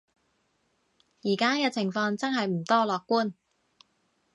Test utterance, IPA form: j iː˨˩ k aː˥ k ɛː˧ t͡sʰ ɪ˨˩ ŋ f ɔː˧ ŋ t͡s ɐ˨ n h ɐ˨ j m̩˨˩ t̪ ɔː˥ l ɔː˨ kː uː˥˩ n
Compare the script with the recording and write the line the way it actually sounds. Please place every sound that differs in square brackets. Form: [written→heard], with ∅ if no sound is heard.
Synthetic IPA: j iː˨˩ k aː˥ k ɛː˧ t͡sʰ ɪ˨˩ ŋ f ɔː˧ ŋ t͡s [ɐ˨→ɐ˥] n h ɐ˨ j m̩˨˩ t̪ ɔː˥ l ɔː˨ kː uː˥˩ n